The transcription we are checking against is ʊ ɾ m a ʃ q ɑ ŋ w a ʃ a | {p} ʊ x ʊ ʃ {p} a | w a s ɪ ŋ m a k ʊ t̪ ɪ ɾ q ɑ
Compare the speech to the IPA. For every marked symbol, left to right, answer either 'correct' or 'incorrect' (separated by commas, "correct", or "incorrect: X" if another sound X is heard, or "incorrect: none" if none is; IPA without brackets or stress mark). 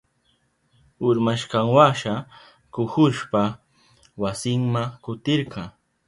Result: incorrect: k, correct